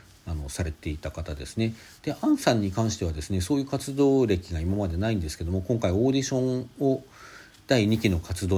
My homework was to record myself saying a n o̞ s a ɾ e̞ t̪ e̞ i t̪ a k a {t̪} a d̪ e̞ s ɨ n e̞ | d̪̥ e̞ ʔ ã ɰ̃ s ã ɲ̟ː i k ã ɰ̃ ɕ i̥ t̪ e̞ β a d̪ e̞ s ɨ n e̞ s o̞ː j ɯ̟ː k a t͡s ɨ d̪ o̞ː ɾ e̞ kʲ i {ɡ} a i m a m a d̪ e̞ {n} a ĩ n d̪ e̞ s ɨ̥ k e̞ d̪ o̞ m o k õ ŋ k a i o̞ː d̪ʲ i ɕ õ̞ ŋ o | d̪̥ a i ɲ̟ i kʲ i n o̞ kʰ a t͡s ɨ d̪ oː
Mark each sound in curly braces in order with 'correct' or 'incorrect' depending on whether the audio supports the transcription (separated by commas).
correct, correct, correct